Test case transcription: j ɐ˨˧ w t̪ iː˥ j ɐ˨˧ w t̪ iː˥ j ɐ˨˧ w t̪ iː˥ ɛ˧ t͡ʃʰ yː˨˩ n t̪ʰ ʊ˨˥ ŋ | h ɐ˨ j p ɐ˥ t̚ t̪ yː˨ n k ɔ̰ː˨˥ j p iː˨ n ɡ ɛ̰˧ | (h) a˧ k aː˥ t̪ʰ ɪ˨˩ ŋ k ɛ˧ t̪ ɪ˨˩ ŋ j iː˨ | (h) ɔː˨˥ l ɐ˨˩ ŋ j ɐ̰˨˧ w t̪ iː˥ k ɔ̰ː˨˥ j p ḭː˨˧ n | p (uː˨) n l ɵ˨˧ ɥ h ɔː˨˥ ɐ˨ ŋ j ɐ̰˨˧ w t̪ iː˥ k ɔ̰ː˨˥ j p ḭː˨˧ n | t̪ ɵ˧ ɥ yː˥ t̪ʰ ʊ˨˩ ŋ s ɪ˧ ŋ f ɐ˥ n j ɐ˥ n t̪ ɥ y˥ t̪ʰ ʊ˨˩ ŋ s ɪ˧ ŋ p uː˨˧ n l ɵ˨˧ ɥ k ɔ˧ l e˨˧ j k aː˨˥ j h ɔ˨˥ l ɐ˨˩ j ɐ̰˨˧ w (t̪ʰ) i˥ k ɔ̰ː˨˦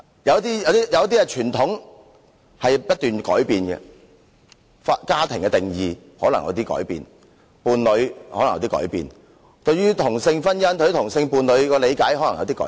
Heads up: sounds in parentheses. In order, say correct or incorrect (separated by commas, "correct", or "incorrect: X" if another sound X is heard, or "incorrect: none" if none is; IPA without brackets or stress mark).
incorrect: f, correct, correct, incorrect: t̪